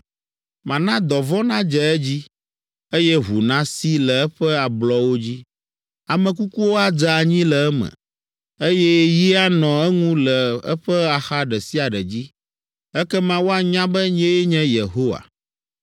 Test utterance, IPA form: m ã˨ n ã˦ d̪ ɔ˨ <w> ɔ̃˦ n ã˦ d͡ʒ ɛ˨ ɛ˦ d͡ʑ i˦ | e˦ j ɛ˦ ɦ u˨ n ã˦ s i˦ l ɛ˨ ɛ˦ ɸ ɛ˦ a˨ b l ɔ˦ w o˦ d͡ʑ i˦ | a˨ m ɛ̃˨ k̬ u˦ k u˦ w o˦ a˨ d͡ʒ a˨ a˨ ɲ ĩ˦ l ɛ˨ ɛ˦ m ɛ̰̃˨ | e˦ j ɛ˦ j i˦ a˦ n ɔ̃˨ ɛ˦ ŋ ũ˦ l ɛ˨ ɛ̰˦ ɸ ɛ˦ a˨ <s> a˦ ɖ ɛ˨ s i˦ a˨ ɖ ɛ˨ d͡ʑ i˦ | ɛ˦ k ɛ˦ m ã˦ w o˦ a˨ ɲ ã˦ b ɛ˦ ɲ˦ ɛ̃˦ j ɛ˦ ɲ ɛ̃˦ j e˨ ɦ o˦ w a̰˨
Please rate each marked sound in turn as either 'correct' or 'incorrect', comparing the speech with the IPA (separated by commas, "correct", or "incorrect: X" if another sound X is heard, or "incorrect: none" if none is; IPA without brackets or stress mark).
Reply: incorrect: v, incorrect: x